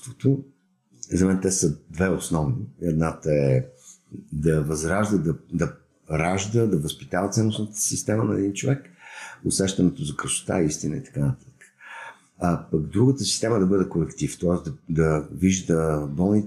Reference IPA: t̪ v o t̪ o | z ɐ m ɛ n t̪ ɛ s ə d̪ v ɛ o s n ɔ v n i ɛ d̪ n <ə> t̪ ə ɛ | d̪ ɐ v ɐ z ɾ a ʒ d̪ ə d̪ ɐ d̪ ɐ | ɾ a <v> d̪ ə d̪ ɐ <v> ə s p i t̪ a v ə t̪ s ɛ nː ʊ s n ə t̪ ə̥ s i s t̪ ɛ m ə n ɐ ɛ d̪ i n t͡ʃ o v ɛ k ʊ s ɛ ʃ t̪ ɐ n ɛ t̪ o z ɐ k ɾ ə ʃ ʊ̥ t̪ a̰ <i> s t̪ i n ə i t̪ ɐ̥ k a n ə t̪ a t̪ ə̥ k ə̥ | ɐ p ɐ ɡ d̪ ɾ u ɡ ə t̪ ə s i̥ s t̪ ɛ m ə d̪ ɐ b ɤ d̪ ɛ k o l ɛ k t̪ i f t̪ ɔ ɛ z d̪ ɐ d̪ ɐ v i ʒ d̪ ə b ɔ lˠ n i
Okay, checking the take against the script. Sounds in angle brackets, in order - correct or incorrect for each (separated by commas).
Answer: incorrect, incorrect, correct, correct